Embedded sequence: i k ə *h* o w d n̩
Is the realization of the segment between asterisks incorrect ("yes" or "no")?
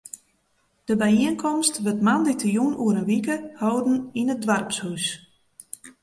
no